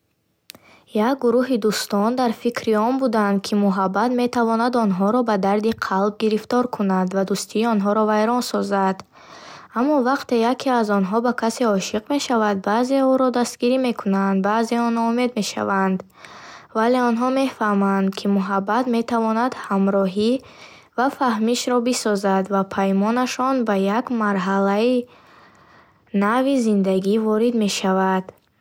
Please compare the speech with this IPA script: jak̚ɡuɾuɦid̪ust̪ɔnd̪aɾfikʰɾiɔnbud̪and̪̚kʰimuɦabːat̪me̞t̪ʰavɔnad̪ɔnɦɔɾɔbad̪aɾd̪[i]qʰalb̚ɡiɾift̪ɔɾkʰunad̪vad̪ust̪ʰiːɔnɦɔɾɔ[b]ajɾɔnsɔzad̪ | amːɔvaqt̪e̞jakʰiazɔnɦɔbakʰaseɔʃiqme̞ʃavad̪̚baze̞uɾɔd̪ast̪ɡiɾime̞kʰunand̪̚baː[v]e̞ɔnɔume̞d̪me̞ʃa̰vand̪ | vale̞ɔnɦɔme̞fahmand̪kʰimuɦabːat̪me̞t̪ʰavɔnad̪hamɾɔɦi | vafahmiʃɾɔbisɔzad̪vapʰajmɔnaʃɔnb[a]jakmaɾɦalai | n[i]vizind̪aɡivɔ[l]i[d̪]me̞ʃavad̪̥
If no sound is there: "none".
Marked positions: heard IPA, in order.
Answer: i, v, z, a, a, ɾ, d̪

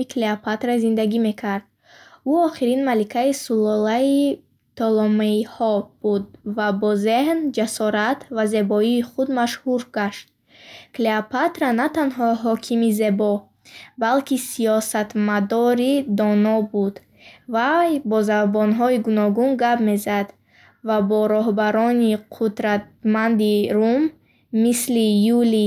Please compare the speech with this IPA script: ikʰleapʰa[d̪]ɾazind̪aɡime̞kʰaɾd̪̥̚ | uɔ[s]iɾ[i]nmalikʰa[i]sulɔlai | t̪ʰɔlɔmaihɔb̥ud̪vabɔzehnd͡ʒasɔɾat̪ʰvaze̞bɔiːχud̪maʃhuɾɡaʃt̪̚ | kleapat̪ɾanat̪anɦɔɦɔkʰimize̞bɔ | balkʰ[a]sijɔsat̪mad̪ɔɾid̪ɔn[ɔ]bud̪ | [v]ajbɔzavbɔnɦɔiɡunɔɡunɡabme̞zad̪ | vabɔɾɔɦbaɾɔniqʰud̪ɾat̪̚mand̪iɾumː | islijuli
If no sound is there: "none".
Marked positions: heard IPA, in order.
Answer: t̪, χ, i, i, i, ɔ, v

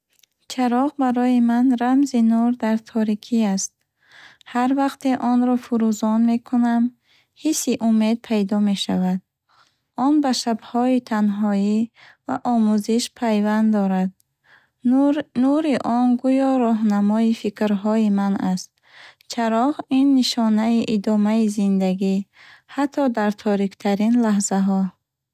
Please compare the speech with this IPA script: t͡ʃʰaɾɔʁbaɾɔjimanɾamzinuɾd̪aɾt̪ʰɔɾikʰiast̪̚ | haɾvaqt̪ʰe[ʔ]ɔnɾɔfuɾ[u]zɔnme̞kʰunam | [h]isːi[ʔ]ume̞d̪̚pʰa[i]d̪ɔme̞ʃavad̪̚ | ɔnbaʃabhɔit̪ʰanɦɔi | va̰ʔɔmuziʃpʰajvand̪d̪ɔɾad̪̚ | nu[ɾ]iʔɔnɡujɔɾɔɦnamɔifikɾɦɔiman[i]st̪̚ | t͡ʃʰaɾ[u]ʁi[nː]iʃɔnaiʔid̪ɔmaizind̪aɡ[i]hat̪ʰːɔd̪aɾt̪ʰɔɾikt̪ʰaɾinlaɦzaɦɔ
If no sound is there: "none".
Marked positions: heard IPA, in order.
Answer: ʔ, u, h, ʔ, j, ɾ, a, ɔ, nː, i

